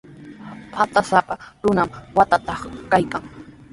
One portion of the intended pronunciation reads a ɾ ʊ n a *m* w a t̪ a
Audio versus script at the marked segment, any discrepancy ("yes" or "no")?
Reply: no